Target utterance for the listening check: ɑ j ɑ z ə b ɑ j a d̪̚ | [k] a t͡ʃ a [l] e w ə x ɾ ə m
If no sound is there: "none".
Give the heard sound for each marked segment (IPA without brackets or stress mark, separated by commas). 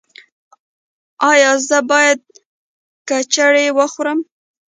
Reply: k, ɽ